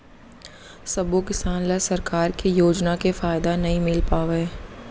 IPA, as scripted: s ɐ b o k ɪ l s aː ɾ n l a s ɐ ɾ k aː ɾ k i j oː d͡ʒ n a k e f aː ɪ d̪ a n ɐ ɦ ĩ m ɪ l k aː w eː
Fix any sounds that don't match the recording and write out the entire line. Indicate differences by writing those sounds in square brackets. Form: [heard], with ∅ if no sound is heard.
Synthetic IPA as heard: s ɐ b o k ɪ [∅] s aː [∅] n l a s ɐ ɾ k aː ɾ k i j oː d͡ʒ n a k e f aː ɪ d̪ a n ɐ ɦ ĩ m ɪ l [p] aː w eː